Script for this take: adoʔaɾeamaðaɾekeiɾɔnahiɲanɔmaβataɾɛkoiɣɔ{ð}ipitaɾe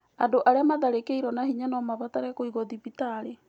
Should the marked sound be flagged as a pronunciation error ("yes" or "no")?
no